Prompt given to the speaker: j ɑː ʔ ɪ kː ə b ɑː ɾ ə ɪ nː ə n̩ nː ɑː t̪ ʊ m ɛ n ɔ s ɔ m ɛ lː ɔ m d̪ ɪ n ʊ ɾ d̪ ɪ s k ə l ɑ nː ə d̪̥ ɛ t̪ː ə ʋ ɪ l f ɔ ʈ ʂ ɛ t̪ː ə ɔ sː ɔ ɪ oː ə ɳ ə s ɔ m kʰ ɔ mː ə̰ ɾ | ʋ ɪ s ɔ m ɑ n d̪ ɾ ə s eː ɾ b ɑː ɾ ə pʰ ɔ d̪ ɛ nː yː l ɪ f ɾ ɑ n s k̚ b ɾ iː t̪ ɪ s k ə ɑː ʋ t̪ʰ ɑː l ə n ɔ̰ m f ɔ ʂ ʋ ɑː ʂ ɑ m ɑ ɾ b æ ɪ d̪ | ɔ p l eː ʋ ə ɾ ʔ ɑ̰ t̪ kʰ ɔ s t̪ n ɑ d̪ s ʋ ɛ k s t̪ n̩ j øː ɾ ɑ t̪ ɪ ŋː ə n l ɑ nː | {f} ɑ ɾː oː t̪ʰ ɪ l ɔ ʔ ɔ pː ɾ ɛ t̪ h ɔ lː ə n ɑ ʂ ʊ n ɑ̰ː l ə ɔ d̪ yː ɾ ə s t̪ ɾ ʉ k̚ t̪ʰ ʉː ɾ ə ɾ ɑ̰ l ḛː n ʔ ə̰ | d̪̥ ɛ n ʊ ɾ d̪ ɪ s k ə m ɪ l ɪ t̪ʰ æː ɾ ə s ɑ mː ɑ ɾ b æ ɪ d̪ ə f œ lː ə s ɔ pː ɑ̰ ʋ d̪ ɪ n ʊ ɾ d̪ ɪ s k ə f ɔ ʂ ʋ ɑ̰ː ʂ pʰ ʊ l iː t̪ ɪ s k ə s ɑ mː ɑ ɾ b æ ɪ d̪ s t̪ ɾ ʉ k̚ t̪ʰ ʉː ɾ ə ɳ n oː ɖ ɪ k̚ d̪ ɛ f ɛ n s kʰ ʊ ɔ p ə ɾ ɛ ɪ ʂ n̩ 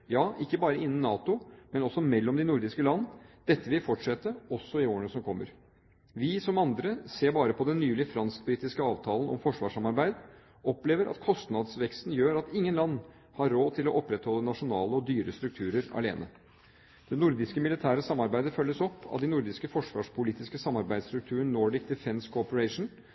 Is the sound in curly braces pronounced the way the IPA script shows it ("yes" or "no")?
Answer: no